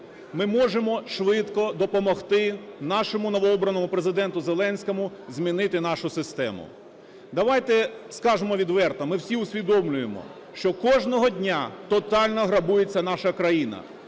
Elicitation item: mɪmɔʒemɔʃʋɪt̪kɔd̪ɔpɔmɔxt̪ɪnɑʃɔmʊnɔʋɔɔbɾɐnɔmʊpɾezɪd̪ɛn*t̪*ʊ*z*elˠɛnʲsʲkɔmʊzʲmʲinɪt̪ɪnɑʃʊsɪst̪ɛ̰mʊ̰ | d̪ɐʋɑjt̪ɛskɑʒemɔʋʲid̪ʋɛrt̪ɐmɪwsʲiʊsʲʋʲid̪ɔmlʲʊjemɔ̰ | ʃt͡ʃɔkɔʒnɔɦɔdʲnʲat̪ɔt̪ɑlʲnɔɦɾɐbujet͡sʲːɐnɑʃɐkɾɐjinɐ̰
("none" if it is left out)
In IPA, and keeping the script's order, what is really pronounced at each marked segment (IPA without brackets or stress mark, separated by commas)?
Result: t̪, z